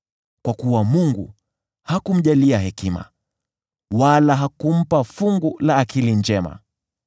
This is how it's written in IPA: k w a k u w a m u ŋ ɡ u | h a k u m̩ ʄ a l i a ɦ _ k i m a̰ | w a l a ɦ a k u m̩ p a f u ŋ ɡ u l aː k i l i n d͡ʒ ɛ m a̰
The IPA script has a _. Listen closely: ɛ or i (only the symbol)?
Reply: ɛ